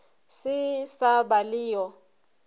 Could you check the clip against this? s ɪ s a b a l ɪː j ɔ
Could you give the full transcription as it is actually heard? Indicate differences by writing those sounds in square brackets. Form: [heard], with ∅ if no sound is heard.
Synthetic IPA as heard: s ɪ s a b a l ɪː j ɔ